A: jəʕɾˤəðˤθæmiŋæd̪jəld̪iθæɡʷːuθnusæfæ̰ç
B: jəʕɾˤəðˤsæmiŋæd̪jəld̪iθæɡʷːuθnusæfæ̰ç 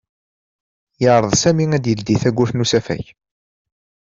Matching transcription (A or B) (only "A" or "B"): B